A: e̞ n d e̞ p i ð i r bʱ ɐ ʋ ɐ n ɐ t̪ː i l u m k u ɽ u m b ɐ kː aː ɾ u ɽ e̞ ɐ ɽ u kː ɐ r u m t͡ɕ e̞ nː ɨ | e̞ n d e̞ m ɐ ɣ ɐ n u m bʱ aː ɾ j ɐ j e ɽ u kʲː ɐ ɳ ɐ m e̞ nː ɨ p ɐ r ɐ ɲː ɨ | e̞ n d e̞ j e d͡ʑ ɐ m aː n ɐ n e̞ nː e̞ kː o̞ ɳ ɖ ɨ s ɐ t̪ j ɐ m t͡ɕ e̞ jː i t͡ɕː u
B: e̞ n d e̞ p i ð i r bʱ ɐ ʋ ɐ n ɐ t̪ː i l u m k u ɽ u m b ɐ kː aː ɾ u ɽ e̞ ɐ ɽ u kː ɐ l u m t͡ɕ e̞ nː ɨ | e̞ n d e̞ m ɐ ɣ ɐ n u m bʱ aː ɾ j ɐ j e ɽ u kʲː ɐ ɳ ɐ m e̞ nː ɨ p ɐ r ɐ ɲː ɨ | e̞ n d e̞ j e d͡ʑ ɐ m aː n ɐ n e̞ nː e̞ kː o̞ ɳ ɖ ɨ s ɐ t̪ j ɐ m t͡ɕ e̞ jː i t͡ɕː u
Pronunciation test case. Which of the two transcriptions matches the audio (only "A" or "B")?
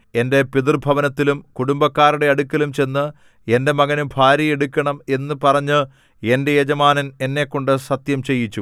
B